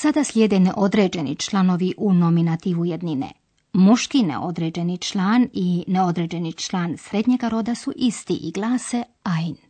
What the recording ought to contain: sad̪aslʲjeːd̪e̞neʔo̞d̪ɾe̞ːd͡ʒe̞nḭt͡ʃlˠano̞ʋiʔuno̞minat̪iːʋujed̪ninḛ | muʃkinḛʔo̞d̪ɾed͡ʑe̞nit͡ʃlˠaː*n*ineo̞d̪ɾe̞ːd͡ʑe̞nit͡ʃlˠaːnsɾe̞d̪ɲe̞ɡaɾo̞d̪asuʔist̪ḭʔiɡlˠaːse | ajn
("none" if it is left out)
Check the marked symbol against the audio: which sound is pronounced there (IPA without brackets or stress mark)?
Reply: n